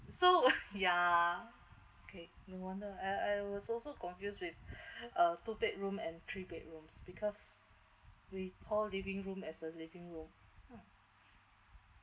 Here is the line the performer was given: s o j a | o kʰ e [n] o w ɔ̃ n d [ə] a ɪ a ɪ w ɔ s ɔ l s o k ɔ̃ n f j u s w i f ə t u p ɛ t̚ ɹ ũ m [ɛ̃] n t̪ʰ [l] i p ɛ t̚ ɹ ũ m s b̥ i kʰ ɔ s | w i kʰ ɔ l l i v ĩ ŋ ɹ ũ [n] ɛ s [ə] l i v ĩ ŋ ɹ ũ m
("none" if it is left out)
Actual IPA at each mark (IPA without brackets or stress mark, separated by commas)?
n, ə, ɛ̃, ɹ, m, ə